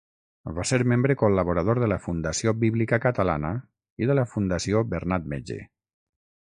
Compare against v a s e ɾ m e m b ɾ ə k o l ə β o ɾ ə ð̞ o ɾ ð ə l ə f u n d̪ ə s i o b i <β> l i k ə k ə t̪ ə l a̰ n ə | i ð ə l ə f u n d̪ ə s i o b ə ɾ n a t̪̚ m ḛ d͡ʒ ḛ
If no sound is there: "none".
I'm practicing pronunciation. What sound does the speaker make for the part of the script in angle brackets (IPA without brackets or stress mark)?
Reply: β